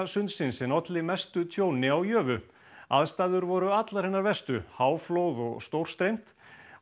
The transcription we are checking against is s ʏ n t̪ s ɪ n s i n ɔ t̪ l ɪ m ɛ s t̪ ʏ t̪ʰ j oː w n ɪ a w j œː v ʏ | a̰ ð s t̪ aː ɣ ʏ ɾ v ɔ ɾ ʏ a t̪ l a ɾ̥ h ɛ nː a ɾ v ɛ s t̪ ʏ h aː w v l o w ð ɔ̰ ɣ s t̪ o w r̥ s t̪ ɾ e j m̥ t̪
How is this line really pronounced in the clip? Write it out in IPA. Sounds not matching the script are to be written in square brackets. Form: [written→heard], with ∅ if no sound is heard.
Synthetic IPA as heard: s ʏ n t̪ s ɪ n s [i→ɛ] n ɔ t̪ l ɪ m ɛ s t̪ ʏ t̪ʰ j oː w n ɪ a w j œː v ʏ | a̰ ð s t̪ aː [ɣ→ð] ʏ ɾ v ɔ ɾ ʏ a t̪ l a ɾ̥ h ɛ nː a ɾ v ɛ s t̪ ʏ h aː w [v→f] l o w ð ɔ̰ ɣ s t̪ o w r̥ s t̪ ɾ e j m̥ t̪